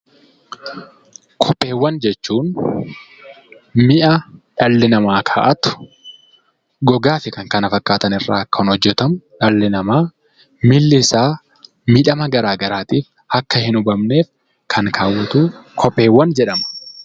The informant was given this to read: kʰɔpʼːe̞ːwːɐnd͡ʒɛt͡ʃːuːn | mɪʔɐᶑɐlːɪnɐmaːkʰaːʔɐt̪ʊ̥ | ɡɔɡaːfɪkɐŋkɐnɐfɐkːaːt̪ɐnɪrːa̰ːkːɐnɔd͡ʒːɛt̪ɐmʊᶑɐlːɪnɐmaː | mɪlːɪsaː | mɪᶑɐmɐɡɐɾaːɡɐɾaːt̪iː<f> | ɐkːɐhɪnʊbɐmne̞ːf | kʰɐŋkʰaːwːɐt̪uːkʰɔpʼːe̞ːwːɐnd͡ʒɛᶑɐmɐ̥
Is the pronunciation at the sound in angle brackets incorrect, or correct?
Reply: correct